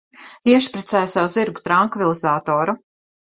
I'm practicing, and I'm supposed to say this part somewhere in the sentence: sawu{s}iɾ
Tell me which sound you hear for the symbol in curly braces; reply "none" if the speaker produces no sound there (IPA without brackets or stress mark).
z